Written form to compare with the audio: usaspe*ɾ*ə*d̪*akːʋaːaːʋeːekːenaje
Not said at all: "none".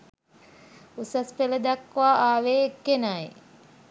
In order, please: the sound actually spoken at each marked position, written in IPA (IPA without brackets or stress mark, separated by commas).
l, d̪